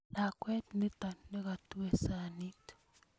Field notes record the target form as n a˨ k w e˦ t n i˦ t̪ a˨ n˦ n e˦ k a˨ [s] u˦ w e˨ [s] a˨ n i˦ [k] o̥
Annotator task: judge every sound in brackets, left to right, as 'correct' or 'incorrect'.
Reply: incorrect: t, correct, incorrect: t

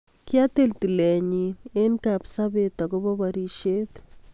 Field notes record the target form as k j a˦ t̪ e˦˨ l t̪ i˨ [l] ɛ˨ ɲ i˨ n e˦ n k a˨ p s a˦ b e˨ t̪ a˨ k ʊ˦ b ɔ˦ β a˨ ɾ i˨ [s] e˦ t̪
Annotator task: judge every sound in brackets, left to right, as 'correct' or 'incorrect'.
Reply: correct, incorrect: ʃ

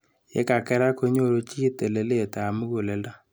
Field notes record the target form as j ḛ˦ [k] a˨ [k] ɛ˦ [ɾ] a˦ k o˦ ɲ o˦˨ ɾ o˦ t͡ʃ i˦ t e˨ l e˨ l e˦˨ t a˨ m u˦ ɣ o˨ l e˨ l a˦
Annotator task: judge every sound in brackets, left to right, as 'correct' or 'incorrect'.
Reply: correct, correct, correct

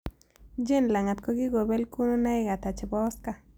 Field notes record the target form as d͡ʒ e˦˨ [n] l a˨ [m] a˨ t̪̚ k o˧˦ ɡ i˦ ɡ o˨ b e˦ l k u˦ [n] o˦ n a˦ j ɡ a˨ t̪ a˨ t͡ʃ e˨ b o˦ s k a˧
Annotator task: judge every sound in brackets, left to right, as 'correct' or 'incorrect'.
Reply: correct, incorrect: ŋ, correct

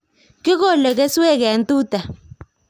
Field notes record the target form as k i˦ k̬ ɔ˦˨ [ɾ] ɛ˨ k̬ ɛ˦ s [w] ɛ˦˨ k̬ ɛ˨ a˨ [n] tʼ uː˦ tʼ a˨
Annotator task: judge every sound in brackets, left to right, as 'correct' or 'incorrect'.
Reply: incorrect: l, correct, correct

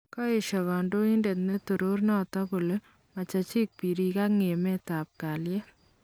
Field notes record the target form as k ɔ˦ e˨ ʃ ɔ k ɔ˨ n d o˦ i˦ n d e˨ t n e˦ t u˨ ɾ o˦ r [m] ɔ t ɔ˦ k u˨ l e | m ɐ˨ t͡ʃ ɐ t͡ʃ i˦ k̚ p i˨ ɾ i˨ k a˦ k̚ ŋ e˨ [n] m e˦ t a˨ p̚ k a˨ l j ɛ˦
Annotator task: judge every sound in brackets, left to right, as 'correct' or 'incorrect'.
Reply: incorrect: n, incorrect: none

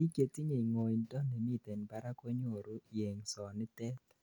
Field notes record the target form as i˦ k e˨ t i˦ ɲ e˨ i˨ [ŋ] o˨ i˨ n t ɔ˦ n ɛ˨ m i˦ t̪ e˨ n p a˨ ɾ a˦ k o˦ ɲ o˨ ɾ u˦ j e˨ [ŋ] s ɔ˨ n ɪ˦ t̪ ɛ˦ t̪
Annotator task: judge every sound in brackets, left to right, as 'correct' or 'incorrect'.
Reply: correct, correct

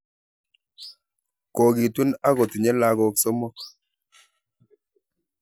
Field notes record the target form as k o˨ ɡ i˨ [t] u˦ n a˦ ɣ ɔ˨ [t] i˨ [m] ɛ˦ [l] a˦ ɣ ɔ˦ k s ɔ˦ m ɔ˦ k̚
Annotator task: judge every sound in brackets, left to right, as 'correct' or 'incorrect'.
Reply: correct, correct, incorrect: ɲ, correct

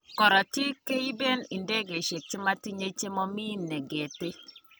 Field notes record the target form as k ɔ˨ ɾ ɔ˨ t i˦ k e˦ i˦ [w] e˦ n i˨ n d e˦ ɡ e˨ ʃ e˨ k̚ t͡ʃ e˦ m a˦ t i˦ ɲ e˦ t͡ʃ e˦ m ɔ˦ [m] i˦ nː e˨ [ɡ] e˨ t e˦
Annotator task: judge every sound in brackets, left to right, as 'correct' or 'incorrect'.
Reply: incorrect: b, correct, correct

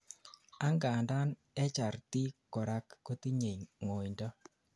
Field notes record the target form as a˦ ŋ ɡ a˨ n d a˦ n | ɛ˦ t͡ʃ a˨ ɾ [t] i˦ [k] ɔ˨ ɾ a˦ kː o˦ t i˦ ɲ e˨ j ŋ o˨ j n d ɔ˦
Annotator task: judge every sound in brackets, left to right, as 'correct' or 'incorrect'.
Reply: correct, correct

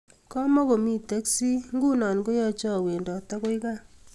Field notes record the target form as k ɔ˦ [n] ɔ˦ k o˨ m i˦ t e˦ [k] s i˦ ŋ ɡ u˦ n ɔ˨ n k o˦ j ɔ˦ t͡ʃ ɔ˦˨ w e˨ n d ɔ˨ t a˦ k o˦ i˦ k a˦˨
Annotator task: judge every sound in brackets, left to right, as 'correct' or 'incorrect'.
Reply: incorrect: m, correct

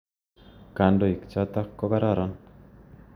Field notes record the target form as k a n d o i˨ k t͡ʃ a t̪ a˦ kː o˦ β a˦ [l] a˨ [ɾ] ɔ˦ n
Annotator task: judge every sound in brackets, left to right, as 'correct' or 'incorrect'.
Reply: incorrect: ɾ, correct

